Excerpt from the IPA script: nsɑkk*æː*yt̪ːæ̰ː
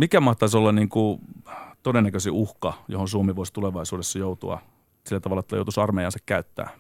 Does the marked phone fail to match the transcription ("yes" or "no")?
yes